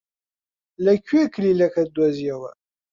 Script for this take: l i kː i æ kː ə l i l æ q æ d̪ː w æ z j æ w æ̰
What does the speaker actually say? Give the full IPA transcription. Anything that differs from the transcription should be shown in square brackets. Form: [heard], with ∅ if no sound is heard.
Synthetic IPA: l [æ] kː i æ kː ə l i l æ [k] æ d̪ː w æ z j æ w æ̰